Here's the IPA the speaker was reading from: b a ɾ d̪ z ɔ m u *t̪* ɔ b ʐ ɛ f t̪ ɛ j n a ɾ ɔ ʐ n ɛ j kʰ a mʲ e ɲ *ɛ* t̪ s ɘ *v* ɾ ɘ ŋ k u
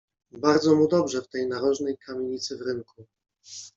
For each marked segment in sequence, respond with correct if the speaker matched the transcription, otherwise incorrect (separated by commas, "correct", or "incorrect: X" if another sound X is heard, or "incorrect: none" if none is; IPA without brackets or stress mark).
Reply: incorrect: d̪, incorrect: i, correct